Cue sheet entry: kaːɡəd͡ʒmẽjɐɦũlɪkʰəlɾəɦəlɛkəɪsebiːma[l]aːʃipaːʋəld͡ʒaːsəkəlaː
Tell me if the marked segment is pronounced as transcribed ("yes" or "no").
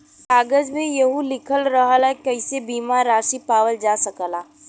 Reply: no